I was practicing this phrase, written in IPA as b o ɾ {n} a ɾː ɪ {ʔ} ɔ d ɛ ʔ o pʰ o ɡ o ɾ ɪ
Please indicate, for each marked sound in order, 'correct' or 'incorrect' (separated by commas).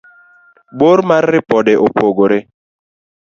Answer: incorrect, incorrect